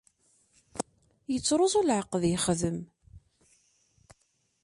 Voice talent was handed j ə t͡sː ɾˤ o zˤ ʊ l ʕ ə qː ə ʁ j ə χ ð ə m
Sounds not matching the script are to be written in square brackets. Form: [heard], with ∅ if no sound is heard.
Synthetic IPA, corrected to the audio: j ə t͡sː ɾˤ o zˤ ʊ l ʕ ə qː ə [ð] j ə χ ð ə m